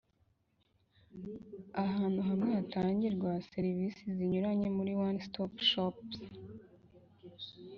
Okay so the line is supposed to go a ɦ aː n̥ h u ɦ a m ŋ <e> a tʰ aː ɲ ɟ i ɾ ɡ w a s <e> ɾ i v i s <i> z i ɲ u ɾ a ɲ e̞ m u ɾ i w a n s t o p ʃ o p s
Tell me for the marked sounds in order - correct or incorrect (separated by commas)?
correct, correct, correct